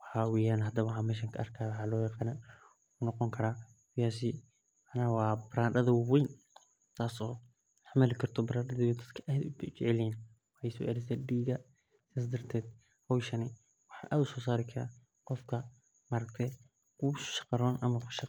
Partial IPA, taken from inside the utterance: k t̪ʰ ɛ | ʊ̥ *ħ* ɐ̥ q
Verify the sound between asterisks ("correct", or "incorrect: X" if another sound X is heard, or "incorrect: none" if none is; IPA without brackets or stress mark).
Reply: incorrect: ʃ